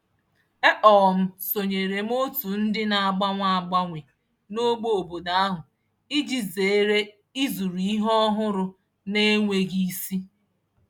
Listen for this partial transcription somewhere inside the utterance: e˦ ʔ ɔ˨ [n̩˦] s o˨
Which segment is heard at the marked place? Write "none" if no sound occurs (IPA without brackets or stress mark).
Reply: m̩˦